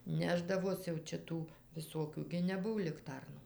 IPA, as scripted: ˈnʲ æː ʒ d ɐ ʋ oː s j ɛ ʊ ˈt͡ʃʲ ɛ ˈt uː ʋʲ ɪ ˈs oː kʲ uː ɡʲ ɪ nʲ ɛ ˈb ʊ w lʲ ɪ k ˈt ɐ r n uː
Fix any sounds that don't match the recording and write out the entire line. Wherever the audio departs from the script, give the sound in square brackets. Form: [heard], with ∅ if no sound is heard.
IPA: ˈnʲ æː ʒ d ɐ ʋ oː s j ɛ ʊ ˈt͡ʃʲ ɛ ˈt uː ʋʲ ɪ ˈs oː kʲ uː ɡʲ ɪ nʲ ɛ ˈb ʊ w lʲ ɪ k ˈt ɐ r n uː